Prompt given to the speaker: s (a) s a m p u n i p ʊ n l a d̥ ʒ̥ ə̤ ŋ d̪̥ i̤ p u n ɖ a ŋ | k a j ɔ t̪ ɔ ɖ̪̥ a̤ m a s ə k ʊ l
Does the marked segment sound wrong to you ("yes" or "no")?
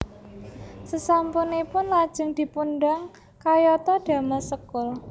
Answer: yes